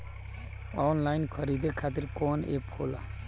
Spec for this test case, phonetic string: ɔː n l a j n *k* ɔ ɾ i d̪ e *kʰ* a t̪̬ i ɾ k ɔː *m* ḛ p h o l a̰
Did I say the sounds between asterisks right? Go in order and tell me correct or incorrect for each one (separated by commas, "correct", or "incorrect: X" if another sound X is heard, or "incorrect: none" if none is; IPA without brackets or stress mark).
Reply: incorrect: kʰ, correct, incorrect: n